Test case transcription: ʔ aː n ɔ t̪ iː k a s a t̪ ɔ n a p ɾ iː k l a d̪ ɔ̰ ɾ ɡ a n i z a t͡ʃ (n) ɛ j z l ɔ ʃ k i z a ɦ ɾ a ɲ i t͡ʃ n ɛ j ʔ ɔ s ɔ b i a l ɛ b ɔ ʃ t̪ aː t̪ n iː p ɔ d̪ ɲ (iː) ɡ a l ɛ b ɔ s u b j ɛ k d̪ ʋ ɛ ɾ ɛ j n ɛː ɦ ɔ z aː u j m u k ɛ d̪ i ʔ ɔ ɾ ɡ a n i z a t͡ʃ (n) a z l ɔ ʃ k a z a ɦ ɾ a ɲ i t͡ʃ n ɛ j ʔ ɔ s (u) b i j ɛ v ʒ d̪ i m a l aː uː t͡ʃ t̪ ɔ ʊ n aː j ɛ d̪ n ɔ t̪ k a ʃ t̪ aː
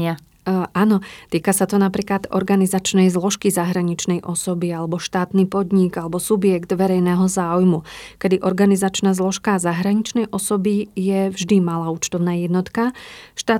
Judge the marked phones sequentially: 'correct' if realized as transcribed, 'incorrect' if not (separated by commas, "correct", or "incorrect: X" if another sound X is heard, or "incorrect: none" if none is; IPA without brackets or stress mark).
correct, incorrect: i, correct, incorrect: ɔ